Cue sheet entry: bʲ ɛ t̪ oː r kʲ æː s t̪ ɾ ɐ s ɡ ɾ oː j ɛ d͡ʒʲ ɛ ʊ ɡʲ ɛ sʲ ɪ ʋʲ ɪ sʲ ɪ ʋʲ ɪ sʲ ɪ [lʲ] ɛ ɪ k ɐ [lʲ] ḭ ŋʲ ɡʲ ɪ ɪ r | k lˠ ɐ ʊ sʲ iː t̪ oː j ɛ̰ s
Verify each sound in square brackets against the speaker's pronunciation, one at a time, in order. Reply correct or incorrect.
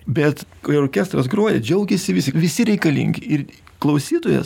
incorrect, correct

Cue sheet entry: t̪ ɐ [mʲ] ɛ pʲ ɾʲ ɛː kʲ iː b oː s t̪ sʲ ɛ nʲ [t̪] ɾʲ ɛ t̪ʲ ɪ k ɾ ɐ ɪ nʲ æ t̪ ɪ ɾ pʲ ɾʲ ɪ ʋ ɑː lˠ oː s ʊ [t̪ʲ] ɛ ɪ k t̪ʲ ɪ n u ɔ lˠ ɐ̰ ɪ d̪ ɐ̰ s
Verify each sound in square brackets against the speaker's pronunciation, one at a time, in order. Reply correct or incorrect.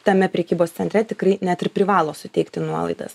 correct, correct, correct

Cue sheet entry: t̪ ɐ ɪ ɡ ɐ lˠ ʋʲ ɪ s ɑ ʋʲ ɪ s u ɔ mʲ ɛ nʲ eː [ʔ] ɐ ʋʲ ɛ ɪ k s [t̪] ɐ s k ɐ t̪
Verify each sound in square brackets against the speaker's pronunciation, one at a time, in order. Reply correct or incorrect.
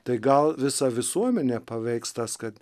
incorrect, correct

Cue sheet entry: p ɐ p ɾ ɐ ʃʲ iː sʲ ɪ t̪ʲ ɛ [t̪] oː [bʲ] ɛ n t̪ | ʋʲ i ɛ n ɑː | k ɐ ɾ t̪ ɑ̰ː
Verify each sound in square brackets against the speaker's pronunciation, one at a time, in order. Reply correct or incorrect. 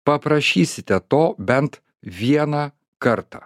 correct, correct

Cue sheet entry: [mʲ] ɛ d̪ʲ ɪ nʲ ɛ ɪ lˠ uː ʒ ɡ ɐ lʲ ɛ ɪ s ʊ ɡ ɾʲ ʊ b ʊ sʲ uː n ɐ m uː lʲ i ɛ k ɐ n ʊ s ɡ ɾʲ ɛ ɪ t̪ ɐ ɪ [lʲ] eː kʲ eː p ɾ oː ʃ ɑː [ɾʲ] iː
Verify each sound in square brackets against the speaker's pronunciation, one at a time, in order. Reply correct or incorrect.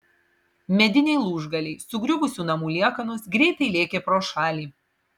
correct, correct, incorrect

